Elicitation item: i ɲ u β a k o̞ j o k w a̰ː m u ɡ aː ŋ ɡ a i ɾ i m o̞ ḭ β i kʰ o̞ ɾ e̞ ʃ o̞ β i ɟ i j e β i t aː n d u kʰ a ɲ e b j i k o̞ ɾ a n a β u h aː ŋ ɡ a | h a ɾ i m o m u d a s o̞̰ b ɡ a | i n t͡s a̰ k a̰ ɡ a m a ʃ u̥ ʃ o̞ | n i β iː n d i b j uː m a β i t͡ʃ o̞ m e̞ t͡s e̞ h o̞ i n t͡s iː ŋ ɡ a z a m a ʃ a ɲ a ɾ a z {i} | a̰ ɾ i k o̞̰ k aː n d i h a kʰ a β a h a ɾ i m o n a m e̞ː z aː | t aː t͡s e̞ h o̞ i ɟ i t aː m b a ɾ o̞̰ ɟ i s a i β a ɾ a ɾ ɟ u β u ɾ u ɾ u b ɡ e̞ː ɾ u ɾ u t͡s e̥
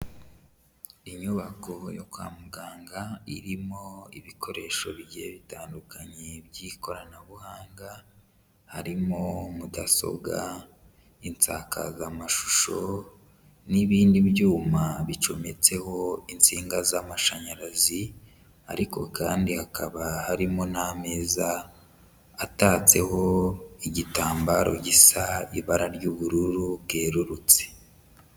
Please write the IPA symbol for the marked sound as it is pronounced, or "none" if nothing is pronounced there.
i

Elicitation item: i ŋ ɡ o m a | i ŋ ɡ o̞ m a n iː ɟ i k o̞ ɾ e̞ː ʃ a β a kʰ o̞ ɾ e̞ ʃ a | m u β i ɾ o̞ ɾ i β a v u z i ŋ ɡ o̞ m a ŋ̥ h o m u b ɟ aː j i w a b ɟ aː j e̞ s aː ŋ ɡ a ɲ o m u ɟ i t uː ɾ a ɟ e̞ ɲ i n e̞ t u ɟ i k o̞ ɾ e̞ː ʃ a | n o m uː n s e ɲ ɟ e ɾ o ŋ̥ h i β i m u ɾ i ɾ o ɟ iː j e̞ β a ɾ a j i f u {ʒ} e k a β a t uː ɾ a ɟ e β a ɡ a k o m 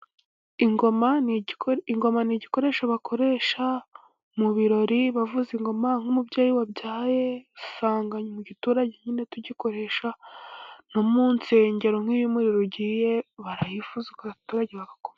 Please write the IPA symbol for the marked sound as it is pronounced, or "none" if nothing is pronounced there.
z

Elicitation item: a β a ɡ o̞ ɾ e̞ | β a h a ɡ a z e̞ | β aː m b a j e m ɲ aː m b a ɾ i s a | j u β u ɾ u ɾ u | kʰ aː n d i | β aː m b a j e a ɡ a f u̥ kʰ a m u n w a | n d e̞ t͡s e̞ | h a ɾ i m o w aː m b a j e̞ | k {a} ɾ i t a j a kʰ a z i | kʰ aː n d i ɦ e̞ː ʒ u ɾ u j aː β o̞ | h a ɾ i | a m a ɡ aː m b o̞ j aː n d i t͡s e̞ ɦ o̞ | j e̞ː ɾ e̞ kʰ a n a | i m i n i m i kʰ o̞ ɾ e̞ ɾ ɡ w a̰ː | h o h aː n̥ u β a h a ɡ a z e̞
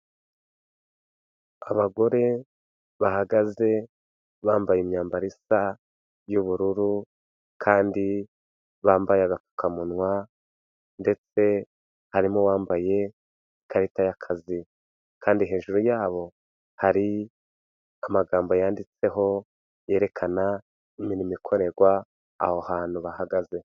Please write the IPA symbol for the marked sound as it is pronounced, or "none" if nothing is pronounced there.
a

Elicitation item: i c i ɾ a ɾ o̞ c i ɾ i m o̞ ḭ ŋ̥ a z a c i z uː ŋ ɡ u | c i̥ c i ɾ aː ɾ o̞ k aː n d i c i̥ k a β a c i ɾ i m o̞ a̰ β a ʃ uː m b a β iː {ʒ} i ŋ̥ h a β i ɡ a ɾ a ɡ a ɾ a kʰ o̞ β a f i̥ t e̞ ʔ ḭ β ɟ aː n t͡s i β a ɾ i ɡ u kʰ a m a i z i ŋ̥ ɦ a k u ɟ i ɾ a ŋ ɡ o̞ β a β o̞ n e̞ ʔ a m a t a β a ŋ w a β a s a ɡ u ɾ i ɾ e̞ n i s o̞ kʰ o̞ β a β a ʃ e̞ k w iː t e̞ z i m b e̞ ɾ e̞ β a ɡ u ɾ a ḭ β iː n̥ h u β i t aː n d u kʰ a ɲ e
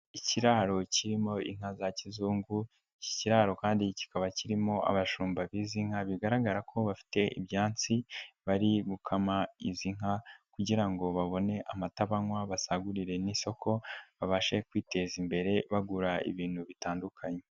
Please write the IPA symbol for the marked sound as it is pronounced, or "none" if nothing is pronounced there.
z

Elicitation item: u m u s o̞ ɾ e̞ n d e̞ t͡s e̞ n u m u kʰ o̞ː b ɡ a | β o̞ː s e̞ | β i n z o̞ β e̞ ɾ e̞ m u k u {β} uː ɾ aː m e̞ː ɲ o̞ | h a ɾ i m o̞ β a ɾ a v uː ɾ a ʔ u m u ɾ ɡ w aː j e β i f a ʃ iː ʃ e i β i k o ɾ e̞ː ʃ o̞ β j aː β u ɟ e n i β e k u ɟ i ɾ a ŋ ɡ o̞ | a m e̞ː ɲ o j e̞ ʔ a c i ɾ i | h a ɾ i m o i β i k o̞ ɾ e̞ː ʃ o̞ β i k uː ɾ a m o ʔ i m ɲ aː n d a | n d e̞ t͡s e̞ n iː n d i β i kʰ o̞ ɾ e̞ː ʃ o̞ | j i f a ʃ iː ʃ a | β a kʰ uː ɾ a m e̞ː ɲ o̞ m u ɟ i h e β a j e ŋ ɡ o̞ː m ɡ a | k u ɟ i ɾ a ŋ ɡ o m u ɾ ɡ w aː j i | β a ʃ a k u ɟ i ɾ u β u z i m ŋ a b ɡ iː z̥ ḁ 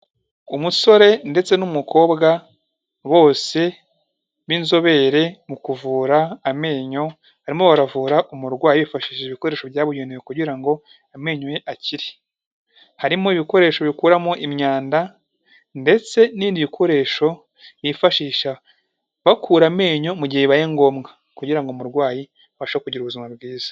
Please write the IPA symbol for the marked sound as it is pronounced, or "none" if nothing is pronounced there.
v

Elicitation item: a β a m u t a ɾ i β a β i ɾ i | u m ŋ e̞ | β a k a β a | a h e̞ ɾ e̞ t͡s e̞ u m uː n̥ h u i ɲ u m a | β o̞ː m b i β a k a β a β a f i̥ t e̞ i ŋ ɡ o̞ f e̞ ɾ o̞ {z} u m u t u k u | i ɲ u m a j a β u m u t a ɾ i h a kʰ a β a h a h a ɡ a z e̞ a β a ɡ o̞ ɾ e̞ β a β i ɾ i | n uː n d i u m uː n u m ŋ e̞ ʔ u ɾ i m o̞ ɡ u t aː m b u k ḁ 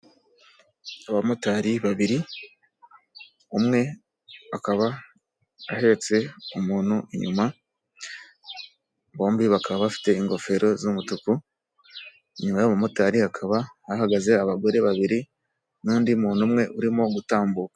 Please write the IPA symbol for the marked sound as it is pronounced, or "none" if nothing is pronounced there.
z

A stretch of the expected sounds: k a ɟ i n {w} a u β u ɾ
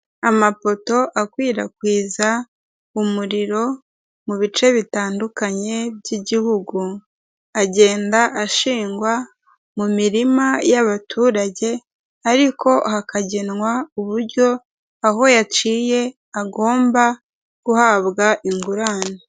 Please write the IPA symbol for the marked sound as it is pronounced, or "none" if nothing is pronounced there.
w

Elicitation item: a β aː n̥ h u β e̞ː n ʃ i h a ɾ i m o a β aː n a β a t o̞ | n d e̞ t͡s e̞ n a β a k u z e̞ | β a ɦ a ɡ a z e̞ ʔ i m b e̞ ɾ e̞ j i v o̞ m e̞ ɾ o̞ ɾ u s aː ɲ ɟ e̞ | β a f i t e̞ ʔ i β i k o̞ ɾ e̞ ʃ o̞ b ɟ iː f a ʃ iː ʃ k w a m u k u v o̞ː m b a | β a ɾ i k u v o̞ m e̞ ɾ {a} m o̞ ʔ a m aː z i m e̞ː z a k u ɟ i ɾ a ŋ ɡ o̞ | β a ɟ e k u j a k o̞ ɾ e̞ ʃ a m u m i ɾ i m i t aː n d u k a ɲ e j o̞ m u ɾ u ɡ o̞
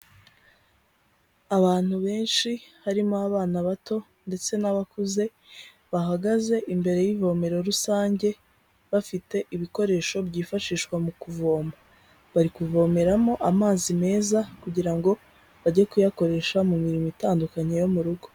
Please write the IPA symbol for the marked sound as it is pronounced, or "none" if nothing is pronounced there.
a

